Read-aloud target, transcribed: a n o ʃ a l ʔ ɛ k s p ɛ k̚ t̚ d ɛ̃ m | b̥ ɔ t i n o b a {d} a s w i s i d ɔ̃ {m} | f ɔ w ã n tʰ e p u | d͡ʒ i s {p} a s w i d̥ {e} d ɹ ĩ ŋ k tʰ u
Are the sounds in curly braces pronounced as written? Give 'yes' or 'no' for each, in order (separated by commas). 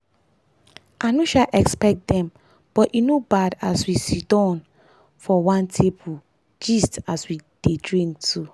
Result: yes, no, no, yes